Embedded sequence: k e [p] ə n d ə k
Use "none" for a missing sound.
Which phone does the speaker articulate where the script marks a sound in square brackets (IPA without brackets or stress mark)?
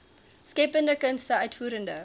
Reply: p